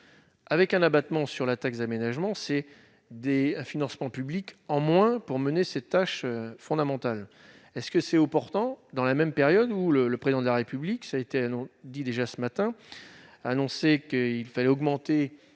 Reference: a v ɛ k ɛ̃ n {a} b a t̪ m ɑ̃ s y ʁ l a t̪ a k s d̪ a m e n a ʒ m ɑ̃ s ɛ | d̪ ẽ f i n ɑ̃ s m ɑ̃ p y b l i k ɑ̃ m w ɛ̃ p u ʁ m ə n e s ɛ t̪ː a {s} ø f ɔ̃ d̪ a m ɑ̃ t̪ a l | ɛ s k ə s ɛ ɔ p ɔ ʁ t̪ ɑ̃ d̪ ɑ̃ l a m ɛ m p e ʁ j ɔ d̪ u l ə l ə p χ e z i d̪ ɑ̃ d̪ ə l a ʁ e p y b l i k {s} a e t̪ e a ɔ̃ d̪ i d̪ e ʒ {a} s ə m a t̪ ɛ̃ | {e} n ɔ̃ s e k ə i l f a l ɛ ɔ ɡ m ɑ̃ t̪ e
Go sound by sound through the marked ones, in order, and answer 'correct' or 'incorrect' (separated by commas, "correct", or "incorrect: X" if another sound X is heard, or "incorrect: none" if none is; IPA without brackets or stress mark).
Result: correct, incorrect: ʃ, correct, correct, incorrect: a